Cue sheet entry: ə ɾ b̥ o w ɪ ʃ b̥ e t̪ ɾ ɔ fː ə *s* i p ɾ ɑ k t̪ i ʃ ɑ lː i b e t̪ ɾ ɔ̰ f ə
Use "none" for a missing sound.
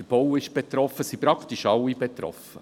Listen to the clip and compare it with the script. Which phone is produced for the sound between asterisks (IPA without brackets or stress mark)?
s